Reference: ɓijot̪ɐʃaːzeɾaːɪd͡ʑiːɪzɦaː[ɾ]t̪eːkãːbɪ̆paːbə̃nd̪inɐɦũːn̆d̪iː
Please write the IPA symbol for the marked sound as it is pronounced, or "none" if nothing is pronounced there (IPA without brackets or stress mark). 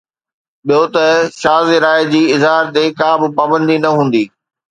ɾ